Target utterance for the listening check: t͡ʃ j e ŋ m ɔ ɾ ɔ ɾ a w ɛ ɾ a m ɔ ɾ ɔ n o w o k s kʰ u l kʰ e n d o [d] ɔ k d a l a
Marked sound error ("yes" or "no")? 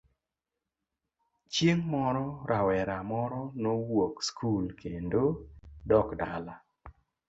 no